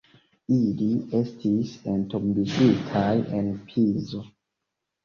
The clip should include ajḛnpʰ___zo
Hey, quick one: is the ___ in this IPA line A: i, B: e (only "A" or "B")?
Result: A